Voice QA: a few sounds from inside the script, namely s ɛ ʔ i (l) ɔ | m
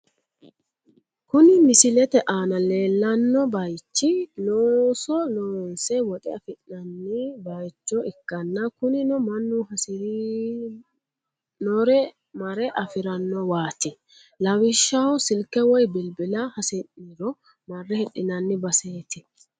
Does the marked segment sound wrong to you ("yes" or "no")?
yes